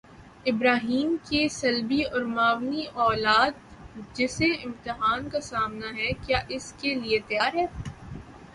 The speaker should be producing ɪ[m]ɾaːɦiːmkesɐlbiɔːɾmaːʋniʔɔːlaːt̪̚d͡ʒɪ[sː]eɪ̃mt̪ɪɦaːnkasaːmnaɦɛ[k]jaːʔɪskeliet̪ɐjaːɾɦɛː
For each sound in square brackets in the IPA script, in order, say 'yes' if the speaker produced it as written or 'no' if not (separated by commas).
no, no, yes